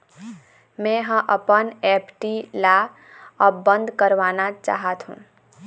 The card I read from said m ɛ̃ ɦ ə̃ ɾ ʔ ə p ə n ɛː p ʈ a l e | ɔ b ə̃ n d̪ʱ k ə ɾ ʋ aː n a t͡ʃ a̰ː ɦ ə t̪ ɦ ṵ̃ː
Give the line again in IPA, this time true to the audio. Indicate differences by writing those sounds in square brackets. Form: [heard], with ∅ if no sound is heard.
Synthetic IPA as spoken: m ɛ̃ ɦ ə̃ [∅] ʔ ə p ə n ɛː p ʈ [i] l [a] | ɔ b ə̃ n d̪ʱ k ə ɾ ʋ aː n a t͡ʃ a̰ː ɦ ə t̪ ɦ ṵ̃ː

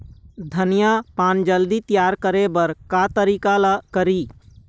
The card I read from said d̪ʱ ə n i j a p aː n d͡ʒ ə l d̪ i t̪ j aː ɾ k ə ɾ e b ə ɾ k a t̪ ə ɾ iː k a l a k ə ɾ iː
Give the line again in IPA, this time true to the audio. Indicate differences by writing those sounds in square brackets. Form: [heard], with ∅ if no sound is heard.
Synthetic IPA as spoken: d̪ʱ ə n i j a p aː n d͡ʒ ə l d̪ i t̪ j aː ɾ k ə ɾ e b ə ɾ k a t̪ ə ɾ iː k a l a k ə ɾ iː

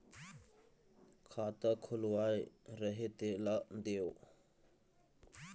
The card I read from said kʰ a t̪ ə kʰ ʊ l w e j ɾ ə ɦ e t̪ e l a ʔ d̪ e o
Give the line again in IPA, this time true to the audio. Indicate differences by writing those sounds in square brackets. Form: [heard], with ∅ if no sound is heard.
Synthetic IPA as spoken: kʰ a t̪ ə kʰ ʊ l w [a] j ɾ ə ɦ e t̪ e l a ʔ d̪ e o

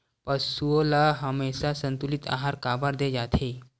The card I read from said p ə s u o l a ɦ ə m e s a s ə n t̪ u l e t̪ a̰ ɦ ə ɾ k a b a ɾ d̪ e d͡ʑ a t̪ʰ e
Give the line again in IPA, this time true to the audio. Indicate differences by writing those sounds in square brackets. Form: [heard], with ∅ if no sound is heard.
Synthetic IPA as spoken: p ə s u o l a ɦ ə m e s a s ə n t̪ u l [i] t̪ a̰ ɦ [a] ɾ k a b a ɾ d̪ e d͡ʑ a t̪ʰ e

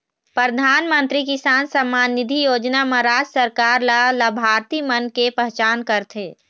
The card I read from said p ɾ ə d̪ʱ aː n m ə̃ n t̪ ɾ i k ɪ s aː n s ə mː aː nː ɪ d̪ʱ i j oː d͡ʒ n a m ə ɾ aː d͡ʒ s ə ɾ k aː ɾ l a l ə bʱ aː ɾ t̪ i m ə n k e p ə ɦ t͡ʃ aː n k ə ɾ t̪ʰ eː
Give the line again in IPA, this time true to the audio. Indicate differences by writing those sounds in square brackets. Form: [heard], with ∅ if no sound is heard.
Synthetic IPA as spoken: p ɾ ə d̪ʱ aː n m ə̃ n t̪ ɾ i k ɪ s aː n s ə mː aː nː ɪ d̪ʱ i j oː d͡ʒ n a m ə ɾ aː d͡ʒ s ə ɾ k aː ɾ l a l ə bʱ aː ɾ t̪ i m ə n k e p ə ɦ t͡ʃ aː n k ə ɾ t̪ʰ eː

